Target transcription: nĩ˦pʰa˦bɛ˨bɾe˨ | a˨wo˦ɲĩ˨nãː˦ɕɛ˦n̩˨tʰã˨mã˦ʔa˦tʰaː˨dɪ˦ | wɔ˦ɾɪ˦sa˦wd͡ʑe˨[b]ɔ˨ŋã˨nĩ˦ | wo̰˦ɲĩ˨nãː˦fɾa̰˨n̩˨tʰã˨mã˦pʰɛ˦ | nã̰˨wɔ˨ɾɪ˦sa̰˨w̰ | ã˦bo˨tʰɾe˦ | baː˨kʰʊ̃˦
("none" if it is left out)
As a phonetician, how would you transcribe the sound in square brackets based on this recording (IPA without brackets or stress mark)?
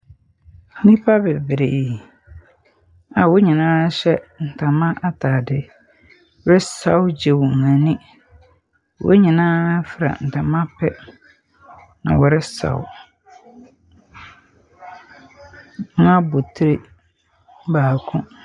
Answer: w